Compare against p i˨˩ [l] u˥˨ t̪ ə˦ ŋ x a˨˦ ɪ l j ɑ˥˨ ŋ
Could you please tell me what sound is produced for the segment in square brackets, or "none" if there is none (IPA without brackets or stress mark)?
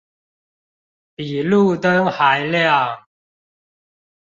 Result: l